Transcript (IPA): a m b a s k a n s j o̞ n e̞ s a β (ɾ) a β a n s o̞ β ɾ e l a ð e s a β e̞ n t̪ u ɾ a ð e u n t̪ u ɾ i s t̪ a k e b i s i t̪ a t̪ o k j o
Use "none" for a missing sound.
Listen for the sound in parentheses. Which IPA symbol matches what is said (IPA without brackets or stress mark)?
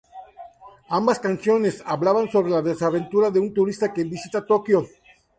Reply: l